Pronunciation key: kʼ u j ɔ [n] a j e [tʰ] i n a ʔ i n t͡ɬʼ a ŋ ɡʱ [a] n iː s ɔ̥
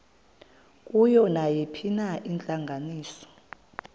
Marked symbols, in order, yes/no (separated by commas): yes, no, yes